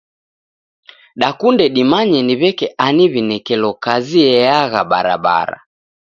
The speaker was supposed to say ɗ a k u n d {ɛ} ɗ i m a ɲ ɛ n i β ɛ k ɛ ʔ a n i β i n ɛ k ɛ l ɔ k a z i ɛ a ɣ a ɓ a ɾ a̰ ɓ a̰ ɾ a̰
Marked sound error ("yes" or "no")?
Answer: no